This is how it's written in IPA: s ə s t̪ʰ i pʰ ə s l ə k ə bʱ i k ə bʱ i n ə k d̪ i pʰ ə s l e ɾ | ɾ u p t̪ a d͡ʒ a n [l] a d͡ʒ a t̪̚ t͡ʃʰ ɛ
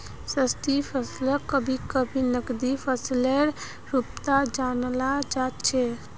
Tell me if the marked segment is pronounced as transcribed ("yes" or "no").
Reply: yes